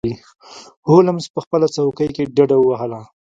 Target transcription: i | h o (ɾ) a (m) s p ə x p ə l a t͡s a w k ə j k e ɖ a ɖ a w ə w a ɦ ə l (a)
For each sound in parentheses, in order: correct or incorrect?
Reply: incorrect, correct, correct

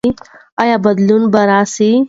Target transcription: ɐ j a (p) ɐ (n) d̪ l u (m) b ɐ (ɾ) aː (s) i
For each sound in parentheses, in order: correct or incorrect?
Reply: incorrect, incorrect, incorrect, correct, correct

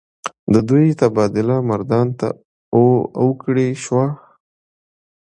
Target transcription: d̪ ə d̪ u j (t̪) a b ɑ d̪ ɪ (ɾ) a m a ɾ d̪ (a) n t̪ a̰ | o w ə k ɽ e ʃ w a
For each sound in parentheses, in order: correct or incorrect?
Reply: correct, incorrect, incorrect

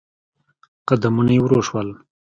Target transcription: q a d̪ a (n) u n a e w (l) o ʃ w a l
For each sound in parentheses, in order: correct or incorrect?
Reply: incorrect, incorrect

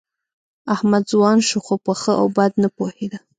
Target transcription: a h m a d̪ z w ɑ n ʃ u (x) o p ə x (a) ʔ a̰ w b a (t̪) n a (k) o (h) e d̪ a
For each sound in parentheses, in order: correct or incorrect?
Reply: correct, incorrect, incorrect, incorrect, correct

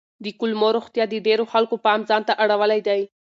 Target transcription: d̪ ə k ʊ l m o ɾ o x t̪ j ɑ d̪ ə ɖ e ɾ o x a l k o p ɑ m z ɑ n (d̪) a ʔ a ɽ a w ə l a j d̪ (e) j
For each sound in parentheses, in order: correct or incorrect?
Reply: incorrect, incorrect

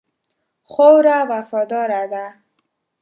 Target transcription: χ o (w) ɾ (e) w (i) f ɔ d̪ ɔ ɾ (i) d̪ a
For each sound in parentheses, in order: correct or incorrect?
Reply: correct, incorrect, incorrect, incorrect

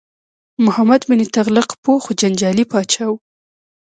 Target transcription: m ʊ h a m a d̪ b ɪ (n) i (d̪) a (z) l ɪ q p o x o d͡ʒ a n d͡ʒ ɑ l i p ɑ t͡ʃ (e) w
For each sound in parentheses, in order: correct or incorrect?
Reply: correct, incorrect, incorrect, incorrect

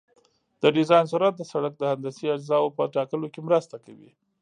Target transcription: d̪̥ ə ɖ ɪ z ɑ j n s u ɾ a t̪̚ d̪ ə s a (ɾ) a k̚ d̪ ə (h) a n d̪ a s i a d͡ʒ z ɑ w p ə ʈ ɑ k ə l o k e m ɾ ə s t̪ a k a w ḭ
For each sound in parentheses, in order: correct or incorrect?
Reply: incorrect, correct

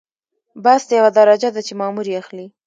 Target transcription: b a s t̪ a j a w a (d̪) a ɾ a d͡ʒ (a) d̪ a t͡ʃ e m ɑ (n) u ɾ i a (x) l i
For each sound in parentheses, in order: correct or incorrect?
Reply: correct, correct, incorrect, correct

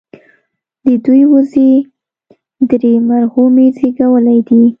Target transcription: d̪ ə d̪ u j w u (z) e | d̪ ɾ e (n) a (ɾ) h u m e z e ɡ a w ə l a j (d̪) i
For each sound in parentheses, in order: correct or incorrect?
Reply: correct, incorrect, correct, correct

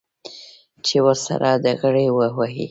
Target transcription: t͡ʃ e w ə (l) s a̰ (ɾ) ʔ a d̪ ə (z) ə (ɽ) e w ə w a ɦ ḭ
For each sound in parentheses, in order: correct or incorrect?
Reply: incorrect, correct, incorrect, correct

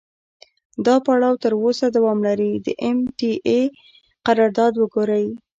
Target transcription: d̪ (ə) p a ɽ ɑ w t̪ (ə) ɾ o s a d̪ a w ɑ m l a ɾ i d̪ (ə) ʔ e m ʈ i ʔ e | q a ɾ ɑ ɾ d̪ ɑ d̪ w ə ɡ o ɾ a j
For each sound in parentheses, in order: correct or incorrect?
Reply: incorrect, correct, correct

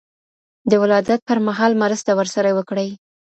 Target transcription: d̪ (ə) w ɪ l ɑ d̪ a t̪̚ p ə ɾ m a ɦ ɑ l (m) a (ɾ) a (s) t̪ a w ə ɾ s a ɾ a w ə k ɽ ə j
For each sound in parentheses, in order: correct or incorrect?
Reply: correct, correct, correct, correct

